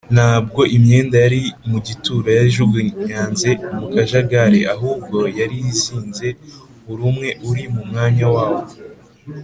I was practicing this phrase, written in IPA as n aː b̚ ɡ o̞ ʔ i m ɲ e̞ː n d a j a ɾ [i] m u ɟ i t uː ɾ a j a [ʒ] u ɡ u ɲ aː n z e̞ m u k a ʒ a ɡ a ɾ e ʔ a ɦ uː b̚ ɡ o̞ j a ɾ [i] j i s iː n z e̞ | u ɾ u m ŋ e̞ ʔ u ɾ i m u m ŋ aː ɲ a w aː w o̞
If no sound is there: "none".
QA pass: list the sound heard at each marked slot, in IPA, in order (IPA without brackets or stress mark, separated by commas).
i, ʒ, i